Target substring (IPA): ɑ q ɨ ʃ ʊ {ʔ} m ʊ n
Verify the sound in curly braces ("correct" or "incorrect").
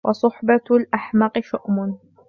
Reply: correct